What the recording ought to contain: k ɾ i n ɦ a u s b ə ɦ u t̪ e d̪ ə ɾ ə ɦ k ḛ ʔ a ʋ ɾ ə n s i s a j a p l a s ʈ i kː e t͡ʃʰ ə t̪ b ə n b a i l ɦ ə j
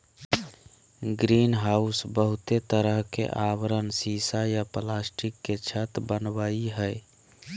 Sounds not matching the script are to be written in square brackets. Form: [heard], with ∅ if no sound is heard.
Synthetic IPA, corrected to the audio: [ɡ] ɾ i n ɦ a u s b ə ɦ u t̪ e [t̪] ə ɾ ə ɦ k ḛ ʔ a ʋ ɾ ə n s i s a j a p l a s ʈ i kː e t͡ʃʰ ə t̪ b ə n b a i [∅] ɦ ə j